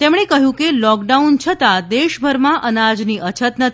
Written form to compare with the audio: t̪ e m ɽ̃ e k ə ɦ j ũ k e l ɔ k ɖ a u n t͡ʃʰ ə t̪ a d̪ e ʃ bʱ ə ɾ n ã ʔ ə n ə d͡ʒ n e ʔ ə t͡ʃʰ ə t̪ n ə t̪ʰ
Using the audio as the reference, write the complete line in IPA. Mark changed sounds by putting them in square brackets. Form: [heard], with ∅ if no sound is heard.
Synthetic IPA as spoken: t̪ e m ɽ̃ e k ə ɦ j ũ k e l ɔ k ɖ a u n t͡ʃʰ ə t̪ a d̪ e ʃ bʱ ə ɾ [m] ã ʔ ə n [a] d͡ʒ n [i] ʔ ə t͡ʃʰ ə t̪ n ə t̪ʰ